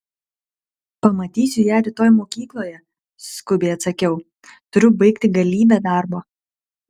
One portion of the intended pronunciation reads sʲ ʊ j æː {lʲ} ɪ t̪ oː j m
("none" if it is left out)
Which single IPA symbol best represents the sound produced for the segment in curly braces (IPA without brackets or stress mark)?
ɾʲ